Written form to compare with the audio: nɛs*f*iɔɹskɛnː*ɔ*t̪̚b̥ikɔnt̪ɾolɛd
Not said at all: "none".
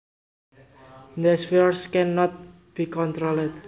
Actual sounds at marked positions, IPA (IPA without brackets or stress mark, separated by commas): f, ɔ